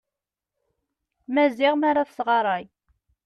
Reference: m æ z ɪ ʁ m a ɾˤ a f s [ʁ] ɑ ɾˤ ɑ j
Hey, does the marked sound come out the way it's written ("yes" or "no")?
yes